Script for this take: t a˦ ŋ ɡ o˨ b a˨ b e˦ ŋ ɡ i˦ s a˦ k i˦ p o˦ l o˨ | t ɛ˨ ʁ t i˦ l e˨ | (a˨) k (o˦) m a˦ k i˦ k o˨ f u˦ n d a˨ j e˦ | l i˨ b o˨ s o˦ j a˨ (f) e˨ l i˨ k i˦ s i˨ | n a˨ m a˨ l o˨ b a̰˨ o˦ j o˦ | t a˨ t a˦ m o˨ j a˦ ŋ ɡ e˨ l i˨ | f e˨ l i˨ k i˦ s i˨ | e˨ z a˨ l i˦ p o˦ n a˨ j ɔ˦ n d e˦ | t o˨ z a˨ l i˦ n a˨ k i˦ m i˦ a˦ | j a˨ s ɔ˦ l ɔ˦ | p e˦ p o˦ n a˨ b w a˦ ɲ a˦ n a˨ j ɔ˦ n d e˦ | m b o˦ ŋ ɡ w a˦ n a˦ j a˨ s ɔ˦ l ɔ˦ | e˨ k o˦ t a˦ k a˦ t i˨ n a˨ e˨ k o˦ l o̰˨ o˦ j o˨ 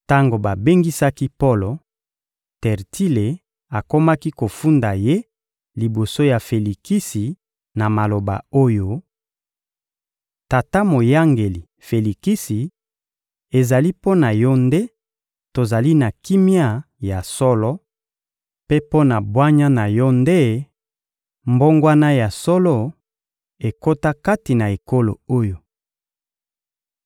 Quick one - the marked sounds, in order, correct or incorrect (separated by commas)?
correct, correct, correct